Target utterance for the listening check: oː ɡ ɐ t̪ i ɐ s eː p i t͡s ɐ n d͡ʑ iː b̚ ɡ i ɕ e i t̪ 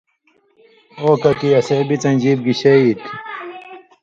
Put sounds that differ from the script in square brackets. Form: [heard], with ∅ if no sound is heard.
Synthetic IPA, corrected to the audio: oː [k] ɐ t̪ i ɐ s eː [b] i t͡s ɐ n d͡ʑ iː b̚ ɡ i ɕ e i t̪